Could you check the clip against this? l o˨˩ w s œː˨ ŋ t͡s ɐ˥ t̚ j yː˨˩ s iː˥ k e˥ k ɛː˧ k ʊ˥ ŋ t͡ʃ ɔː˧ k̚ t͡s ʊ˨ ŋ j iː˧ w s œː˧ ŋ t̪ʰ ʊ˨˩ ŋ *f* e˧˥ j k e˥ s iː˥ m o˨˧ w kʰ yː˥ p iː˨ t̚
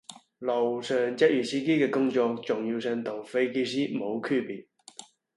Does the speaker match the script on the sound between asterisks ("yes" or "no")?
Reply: yes